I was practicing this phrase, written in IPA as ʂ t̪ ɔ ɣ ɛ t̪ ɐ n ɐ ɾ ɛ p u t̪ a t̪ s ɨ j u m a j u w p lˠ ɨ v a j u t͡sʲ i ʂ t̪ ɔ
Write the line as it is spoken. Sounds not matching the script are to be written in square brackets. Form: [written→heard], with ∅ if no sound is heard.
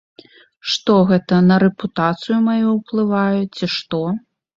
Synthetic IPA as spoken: ʂ t̪ ɔ ɣ ɛ t̪ ɐ n ɐ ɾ ɛ p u t̪ a t̪ s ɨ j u m a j u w p lˠ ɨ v a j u t͡sʲ i ʂ t̪ ɔ